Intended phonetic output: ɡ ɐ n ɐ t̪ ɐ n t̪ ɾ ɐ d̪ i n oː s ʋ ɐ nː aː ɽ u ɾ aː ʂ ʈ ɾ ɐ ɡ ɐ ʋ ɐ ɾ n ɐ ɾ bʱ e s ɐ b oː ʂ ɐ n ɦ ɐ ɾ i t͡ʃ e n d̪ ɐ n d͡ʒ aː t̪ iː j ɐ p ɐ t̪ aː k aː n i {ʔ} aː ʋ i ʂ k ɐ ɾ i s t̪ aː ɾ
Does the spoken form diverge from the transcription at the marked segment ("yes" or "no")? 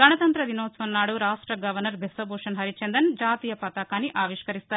no